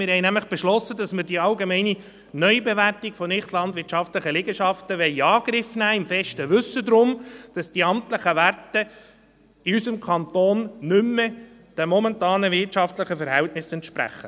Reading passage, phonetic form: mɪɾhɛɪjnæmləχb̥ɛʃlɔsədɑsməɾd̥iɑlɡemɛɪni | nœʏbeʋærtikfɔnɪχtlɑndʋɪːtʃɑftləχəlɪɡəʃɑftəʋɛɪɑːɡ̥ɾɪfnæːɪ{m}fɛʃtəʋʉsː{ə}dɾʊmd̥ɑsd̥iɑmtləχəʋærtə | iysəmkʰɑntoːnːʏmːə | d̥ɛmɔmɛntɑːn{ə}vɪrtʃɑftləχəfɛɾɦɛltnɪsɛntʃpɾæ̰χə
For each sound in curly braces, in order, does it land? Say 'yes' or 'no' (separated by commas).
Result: yes, yes, yes